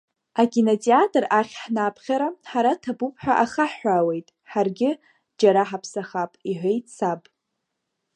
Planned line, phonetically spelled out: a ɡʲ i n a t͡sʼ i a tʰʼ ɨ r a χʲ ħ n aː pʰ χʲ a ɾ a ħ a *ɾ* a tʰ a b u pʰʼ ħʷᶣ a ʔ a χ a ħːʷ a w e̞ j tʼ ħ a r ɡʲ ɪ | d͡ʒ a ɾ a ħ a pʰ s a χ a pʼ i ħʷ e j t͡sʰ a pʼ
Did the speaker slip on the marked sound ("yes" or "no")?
no